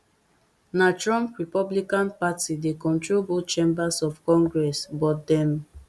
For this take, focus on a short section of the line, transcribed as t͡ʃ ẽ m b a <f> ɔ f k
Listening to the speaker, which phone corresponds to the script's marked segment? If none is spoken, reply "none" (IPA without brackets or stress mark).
s